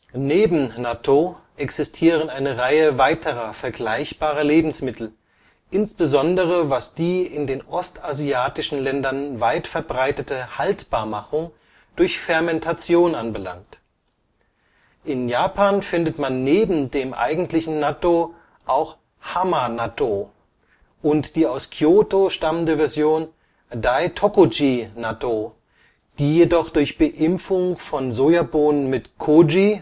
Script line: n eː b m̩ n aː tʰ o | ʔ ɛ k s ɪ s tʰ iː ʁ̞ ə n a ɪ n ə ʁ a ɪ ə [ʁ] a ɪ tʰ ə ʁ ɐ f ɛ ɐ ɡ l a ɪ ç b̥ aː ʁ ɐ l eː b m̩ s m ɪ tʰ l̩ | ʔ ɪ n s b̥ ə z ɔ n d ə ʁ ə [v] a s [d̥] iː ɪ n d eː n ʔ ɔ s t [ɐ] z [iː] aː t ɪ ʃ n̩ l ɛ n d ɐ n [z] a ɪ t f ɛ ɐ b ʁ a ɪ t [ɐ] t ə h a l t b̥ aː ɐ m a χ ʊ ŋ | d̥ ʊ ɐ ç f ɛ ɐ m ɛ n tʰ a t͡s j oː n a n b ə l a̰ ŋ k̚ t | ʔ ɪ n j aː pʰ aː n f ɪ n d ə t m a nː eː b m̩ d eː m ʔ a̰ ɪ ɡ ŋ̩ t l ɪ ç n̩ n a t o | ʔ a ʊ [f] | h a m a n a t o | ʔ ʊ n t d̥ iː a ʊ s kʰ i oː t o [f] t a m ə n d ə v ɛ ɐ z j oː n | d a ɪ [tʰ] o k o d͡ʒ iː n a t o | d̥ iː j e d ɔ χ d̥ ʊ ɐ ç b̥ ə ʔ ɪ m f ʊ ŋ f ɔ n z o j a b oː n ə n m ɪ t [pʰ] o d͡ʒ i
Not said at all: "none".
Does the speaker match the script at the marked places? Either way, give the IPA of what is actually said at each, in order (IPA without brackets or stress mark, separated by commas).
v, v, d̥, a, i, v, ə, x, ʃ, tʰ, kʰ